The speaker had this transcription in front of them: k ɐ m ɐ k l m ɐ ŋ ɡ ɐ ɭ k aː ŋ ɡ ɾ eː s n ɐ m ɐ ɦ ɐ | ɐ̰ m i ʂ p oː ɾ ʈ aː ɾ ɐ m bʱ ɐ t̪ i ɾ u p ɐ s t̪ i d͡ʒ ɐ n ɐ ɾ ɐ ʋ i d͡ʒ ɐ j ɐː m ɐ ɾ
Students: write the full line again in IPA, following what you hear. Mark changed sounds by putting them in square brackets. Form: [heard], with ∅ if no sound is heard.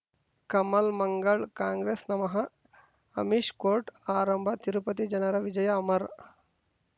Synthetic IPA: k ɐ m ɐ [∅] l m ɐ ŋ ɡ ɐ ɭ k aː ŋ ɡ ɾ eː s n ɐ m ɐ ɦ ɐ | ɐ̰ m i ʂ [k] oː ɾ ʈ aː ɾ ɐ m bʱ ɐ t̪ i ɾ u p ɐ [∅] t̪ i d͡ʒ ɐ n ɐ ɾ ɐ ʋ i d͡ʒ ɐ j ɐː m ɐ ɾ